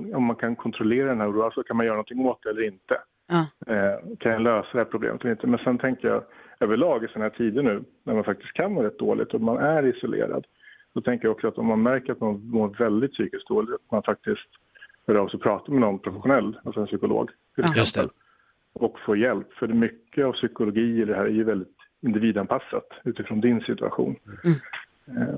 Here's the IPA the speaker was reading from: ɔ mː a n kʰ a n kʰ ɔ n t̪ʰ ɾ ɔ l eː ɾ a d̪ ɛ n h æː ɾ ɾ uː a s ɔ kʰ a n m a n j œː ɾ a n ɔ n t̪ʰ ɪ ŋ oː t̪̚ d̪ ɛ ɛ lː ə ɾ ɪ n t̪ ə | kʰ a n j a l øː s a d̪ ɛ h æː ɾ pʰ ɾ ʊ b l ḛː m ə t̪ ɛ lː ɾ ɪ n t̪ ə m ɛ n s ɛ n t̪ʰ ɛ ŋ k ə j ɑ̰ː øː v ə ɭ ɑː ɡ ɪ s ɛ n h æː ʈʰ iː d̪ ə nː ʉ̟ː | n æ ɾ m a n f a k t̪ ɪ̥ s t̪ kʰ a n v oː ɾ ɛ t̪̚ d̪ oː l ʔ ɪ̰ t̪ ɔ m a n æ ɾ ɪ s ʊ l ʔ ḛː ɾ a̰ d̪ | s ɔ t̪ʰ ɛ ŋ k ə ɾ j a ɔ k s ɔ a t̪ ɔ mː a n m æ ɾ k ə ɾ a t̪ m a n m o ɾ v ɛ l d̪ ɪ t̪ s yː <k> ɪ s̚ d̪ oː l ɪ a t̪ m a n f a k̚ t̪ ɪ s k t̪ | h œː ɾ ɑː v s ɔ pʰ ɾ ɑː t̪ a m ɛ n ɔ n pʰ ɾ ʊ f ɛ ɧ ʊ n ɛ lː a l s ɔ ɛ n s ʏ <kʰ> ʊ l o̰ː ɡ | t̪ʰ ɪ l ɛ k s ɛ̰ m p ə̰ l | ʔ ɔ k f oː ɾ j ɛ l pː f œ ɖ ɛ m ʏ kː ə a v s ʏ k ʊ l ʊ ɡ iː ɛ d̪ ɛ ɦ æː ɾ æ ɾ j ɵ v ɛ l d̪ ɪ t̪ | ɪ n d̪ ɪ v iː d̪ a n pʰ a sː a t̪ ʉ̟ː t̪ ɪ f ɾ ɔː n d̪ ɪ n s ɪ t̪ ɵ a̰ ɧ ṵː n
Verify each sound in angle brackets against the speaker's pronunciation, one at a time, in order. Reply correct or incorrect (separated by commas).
correct, incorrect